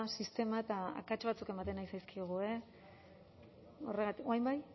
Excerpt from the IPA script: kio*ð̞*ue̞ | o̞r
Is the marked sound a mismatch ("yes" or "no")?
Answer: yes